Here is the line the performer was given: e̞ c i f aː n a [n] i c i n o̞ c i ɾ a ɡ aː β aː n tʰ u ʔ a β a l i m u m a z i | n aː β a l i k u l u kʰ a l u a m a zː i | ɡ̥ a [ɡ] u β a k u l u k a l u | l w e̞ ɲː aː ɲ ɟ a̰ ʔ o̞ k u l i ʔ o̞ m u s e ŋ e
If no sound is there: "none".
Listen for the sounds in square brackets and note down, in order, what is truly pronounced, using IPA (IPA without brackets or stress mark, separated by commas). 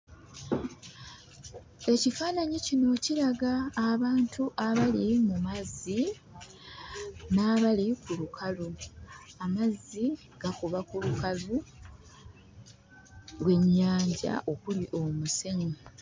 ɲ, k